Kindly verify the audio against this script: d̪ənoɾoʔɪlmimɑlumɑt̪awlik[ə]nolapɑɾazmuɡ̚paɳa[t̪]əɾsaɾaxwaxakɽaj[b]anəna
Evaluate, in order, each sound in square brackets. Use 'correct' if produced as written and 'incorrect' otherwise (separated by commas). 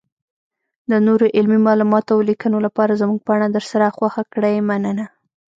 correct, incorrect, incorrect